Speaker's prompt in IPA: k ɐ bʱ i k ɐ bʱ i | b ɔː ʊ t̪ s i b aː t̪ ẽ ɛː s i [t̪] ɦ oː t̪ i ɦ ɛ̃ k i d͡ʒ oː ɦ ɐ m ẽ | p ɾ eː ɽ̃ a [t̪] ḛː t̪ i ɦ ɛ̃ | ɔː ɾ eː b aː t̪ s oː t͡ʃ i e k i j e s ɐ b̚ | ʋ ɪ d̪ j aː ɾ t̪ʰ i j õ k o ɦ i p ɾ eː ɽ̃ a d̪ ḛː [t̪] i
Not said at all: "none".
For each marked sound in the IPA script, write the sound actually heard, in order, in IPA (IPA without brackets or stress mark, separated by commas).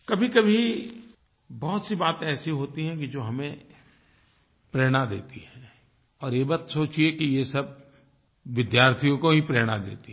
none, d̪, t̪